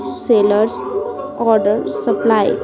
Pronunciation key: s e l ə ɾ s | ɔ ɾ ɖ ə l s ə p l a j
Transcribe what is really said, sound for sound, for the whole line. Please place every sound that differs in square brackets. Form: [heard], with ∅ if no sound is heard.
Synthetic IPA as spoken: s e l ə ɾ s | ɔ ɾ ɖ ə [ɾ] s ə p l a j